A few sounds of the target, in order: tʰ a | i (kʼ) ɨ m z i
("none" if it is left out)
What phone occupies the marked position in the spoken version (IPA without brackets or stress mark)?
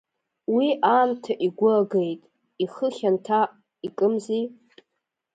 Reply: kʼ